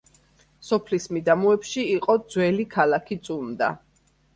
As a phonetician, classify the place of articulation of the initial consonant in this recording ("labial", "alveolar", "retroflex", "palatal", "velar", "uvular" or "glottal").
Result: alveolar